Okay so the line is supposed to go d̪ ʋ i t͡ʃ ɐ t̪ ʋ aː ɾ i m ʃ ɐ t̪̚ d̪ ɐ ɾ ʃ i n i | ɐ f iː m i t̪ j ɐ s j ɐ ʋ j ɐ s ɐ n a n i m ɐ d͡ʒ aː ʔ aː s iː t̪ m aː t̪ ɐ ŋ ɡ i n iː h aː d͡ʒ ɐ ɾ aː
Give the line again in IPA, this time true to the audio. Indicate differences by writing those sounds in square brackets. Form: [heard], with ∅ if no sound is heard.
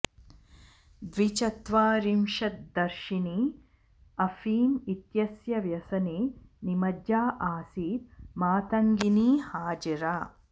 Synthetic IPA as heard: d̪ ʋ i t͡ʃ ɐ t̪ ʋ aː ɾ i m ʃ ɐ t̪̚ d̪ ɐ ɾ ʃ i n i | ɐ f iː m i t̪ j ɐ s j ɐ ʋ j ɐ s ɐ n [i] n i m ɐ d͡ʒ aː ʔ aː s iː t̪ m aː t̪ ɐ ŋ ɡ i n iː h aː d͡ʒ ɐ ɾ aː